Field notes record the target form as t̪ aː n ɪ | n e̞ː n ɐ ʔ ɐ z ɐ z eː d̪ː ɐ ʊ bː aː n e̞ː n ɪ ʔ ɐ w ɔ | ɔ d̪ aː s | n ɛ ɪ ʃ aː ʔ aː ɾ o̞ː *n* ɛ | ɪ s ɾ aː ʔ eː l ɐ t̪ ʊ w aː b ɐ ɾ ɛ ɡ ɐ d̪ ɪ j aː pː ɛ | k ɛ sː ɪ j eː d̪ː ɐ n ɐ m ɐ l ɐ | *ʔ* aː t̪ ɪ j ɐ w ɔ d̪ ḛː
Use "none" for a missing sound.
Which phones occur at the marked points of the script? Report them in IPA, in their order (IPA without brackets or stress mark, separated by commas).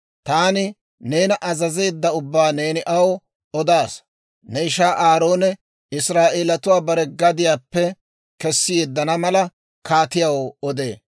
n, k